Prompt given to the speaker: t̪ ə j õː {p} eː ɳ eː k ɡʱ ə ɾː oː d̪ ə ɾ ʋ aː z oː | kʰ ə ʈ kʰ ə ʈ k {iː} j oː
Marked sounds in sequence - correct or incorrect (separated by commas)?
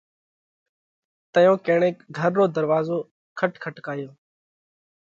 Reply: incorrect, incorrect